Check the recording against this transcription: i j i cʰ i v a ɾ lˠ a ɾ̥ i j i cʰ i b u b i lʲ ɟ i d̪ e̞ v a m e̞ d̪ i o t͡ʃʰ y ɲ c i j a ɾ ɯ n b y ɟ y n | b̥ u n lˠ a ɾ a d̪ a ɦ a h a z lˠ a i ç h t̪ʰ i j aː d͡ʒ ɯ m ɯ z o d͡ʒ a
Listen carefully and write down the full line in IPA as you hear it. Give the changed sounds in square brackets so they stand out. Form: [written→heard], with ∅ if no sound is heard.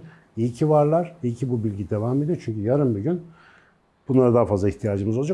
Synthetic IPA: i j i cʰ i v a ɾ lˠ a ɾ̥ i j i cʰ i b u b i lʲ ɟ i d̪ e̞ v a m e̞ d̪ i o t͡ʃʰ y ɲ c [i→y] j a ɾ ɯ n b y ɟ y n | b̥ u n lˠ a ɾ a d̪ a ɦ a [h→f] a z lˠ a i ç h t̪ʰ i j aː d͡ʒ ɯ m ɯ z o d͡ʒ a

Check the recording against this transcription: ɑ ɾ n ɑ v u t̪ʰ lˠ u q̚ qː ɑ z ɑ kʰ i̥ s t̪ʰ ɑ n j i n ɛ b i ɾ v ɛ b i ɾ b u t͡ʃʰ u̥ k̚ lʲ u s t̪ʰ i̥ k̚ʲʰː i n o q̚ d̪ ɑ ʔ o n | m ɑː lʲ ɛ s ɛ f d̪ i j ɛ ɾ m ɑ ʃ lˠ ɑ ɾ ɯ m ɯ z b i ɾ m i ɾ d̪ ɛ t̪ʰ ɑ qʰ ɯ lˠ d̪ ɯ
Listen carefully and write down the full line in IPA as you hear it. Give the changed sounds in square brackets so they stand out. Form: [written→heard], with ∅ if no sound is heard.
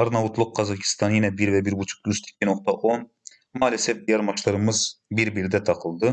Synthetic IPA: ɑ ɾ n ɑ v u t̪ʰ lˠ u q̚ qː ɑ z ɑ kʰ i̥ s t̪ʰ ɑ n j i n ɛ b i ɾ v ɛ b i ɾ b u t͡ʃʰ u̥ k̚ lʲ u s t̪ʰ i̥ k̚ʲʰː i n o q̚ [d̪→t̪] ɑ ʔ o n | m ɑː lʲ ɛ s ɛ f d̪ i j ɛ ɾ m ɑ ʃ lˠ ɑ ɾ ɯ m ɯ z b i ɾ [m→b] i ɾ d̪ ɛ t̪ʰ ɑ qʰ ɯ lˠ d̪ ɯ

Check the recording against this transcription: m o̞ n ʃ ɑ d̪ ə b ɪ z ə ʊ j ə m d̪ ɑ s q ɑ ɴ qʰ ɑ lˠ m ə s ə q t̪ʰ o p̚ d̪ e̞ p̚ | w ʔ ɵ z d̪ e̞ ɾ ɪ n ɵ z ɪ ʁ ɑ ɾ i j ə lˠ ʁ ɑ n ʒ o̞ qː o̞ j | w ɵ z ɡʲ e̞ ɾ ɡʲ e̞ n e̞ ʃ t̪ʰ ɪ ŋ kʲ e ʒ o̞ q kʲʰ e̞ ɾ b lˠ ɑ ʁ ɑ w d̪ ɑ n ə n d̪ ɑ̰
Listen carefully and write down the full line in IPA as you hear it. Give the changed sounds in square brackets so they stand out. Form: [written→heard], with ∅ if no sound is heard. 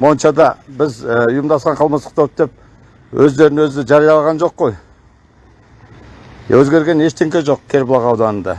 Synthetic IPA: m o̞ n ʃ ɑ d̪ [ə→ɑ] b ɪ z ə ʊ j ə m d̪ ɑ s q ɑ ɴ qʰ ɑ lˠ m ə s ə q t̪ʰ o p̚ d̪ e̞ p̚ | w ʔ ɵ z d̪ e̞ ɾ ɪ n ɵ z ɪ [ʁ→ʒ] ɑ ɾ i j [ə→ɑ] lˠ ʁ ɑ n ʒ o̞ qː o̞ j | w ɵ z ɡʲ e̞ ɾ ɡʲ e̞ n e̞ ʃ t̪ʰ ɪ ŋ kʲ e ʒ o̞ q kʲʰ e̞ ɾ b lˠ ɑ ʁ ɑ w d̪ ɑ n ə n d̪ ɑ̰

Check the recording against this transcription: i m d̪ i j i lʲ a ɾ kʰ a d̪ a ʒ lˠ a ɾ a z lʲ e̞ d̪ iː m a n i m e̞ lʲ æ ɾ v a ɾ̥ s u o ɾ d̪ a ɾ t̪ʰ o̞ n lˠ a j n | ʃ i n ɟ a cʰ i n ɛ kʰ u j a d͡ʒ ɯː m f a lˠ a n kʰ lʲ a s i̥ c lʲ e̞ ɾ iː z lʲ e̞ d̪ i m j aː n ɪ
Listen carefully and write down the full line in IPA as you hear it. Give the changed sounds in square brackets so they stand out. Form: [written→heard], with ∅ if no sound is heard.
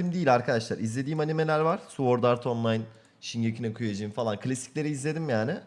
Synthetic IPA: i m d̪ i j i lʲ a ɾ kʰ a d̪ a [ʒ→ʃ] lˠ a ɾ [a→i] z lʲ e̞ d̪ iː m a n i m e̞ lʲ æ ɾ v a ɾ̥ s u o ɾ d̪ a ɾ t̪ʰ o̞ n lˠ a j n | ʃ i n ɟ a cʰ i n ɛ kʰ u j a d͡ʒ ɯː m f a lˠ a n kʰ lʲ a s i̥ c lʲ e̞ ɾ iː z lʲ e̞ d̪ i m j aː n ɪ

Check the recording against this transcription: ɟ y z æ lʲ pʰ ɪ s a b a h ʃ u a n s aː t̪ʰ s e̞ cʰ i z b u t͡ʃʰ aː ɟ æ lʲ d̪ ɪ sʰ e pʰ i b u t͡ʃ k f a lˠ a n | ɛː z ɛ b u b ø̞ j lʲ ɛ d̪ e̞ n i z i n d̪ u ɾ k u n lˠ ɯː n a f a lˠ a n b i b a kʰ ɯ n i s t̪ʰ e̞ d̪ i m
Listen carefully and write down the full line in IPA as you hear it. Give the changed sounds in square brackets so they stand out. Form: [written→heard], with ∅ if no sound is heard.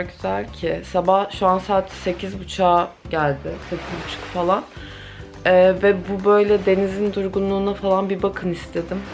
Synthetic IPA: ɟ y z æ lʲ [pʰ→cʰ] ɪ s a b a h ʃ u a n s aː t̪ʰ s e̞ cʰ i z b u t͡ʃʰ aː ɟ æ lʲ d̪ ɪ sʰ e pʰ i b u t͡ʃ k f a lˠ a n | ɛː [z→v] ɛ b u b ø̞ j lʲ ɛ d̪ e̞ n i z i n d̪ u ɾ [k→ɡ] u n lˠ [ɯː→uː] n a f a lˠ a n b i b a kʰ ɯ n i s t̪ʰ e̞ d̪ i m

